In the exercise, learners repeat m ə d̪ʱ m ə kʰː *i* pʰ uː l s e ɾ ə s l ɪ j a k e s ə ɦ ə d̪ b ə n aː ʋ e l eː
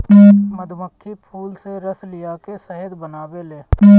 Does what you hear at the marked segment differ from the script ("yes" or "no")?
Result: no